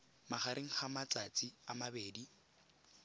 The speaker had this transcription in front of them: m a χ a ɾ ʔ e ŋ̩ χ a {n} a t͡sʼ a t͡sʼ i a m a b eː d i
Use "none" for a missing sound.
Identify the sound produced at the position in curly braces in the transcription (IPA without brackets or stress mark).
m